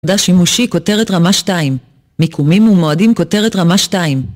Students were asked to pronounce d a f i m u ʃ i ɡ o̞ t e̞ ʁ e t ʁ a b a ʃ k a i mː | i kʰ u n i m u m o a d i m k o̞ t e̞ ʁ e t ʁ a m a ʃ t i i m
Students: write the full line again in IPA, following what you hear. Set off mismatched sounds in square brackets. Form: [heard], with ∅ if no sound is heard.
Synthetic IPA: d a [ʃ] i m u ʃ i [k] o̞ t e̞ ʁ e t ʁ a [m] a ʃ [t] a i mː | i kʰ u [m] i m u m o a d i m k o̞ t e̞ ʁ e t ʁ a m a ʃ t [a] i m